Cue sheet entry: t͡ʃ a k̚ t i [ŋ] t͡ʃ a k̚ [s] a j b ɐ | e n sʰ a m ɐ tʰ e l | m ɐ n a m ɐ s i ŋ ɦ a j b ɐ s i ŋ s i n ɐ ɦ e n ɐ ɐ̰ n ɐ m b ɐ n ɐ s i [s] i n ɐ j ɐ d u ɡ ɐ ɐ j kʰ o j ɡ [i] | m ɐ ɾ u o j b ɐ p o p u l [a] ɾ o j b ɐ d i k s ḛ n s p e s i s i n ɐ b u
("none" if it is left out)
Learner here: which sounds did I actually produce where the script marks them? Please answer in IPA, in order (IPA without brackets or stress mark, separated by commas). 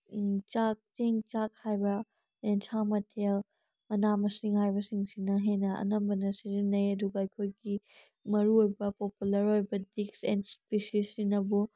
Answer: ŋ, h, z, i, ɐ